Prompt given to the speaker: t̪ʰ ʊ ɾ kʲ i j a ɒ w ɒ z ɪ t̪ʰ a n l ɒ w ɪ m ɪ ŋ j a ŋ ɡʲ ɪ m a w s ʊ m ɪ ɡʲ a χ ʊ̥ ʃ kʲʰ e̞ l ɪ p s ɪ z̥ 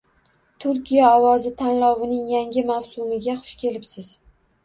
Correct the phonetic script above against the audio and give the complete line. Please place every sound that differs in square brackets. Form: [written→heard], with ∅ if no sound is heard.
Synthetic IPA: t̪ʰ ʊ ɾ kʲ i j a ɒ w ɒ z ɪ t̪ʰ a n l ɒ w ɪ [m→n] ɪ ŋ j a ŋ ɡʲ ɪ m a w s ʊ m ɪ ɡʲ a χ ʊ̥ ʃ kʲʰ e̞ l ɪ p s ɪ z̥